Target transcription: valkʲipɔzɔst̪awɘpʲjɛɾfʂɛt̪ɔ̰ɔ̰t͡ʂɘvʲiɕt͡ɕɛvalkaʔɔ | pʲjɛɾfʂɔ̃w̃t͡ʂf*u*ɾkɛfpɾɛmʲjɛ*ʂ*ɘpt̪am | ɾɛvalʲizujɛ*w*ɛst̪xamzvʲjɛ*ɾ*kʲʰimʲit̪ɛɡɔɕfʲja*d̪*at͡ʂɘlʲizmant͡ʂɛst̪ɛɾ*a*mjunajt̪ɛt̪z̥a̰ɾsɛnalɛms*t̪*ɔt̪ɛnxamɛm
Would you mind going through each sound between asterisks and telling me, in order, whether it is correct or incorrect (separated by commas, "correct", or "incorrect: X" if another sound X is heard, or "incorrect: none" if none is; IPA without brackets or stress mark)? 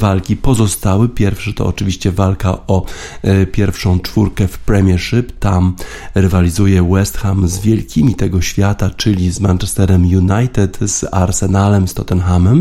correct, correct, correct, incorrect: l, incorrect: t̪, incorrect: ɛ, correct